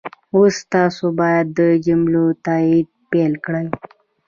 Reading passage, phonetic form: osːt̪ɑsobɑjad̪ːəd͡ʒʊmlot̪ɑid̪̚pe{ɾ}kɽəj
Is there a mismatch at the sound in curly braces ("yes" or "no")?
yes